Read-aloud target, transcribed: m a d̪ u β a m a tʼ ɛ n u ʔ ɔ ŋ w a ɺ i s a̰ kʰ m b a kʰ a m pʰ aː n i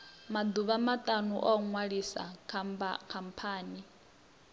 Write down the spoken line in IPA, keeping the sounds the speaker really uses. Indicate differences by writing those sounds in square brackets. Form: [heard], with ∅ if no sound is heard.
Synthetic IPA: m a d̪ u β a m a tʼ [a] n u ʔ ɔ ŋ w a ɺ i s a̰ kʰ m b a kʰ a m pʰ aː n i